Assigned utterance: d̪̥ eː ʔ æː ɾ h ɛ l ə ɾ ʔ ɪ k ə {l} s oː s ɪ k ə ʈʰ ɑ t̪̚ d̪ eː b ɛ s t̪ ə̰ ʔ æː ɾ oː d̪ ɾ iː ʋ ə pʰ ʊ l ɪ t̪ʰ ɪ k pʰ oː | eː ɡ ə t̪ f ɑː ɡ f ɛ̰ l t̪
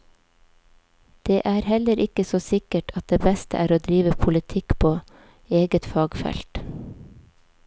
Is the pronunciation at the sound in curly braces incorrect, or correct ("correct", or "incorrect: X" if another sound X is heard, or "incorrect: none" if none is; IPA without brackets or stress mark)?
incorrect: none